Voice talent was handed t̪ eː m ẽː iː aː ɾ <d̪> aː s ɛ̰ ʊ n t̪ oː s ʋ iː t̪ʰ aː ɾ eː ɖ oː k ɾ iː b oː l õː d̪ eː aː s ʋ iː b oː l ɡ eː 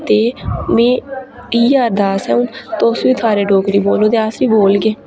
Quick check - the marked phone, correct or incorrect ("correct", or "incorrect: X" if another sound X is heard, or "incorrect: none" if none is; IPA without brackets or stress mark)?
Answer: correct